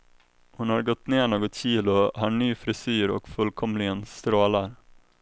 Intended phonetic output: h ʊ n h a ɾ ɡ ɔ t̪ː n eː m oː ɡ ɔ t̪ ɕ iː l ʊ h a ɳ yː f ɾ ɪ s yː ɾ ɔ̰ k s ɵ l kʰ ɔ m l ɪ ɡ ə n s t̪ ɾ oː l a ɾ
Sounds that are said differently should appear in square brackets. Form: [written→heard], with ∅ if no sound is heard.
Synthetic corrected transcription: h ʊ n h a ɾ ɡ ɔ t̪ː n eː [m→ɳ] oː ɡ ɔ t̪ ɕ iː l ʊ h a ɳ yː f ɾ ɪ s yː ɾ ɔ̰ k [s→f] ɵ l kʰ ɔ m l ɪ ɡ ə n s t̪ ɾ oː l a ɾ